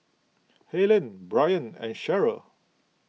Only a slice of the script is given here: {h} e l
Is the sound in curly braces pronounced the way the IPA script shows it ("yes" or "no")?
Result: yes